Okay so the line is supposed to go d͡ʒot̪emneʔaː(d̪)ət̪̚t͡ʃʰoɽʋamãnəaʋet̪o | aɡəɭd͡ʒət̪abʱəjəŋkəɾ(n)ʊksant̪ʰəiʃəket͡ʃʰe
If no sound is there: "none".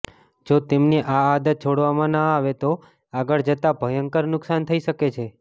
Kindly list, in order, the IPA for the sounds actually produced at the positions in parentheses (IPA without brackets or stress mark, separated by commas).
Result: d̪, n